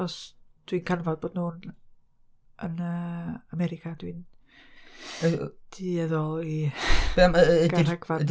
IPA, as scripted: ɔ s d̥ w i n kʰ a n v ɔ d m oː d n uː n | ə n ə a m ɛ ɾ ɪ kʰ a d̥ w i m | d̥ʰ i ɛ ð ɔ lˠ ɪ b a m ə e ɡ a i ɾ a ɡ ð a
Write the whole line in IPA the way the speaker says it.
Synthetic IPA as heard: ɔ s d̥ w i n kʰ a n v ɔ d b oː d n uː n | ə n ə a m ɛ ɾ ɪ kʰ a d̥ w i n | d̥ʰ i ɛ ð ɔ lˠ i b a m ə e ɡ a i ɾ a ɡ v a